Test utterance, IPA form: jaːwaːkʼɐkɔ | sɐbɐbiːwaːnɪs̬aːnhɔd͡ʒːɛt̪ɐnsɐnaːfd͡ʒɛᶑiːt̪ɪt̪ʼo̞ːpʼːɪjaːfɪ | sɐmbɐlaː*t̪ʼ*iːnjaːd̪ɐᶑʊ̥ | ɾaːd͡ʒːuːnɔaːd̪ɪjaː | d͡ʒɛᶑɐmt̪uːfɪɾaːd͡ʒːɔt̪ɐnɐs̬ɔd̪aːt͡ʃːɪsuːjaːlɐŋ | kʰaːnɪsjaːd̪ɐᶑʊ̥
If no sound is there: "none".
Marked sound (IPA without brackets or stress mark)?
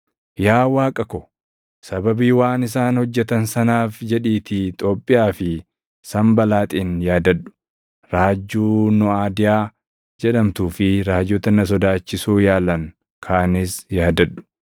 t̪ʼ